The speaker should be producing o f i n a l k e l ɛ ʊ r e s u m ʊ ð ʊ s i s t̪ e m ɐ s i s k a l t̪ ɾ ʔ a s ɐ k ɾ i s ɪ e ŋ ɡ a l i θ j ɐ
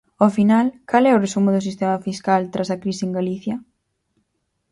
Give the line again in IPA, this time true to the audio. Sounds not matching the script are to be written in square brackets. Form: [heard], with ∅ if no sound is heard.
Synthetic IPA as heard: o f i n a l k [a] l ɛ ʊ r e s u m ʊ ð ʊ s i s t̪ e m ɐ [f] i s k a l t̪ ɾ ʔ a s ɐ k ɾ i s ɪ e ŋ ɡ a l i θ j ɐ